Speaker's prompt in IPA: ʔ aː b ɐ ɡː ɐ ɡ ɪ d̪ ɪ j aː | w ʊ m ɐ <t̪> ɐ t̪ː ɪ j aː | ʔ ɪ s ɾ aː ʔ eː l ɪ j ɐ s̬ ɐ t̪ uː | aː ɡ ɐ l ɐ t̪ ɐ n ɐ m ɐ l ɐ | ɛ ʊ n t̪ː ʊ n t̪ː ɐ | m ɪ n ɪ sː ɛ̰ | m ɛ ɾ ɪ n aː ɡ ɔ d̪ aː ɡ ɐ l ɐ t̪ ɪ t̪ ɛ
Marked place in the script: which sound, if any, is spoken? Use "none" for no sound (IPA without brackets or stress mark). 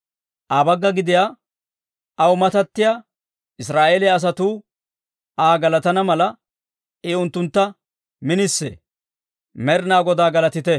t̪